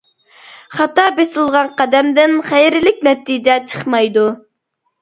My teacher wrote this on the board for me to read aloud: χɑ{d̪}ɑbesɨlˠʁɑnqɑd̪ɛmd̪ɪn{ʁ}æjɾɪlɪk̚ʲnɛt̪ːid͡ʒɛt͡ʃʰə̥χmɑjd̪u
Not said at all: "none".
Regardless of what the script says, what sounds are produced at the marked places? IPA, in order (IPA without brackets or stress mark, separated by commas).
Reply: t̪, χ